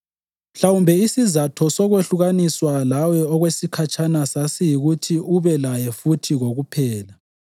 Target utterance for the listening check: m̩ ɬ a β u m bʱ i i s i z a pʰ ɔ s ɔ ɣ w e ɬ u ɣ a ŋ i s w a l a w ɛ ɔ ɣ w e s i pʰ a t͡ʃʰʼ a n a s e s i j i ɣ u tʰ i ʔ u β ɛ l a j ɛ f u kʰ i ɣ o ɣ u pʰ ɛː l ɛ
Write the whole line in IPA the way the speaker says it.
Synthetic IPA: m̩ ɬ a w u m bʱ ɛ i s i z a tʰ ɔ s ɔ ɣ w e ɬ u ɣ a n i s w a l a w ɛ ɔ ɣ w e s i kʰ a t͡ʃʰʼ a n a s a s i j i ɣ u tʰ i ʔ u β ɛ l a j ɛ f u tʰ i ɣ o ɣ u pʰ ɛː l a